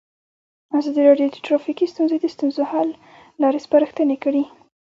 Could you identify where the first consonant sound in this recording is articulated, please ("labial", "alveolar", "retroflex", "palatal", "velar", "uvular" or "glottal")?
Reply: alveolar